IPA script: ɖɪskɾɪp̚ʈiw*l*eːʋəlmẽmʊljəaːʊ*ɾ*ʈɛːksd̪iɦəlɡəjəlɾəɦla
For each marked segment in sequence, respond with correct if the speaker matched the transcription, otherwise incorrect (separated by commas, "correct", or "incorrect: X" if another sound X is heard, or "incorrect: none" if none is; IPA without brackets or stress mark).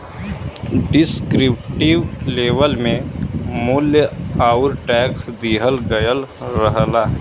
correct, correct